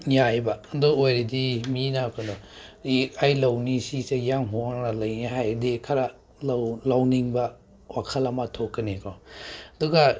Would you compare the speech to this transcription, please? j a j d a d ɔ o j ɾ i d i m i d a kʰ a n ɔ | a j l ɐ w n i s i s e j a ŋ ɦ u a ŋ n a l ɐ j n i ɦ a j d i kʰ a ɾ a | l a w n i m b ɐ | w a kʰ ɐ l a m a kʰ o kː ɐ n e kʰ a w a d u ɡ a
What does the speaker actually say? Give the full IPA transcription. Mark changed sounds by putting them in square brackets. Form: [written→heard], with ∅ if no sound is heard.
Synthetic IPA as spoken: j a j [d→b] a d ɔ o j ɾ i d i m i [d→n] a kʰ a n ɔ | a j l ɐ w n i s i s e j a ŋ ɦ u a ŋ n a l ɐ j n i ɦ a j d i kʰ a ɾ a | l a w n i [m→ŋ] b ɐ | w a kʰ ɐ l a m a [kʰ→tʰ] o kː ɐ n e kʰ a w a d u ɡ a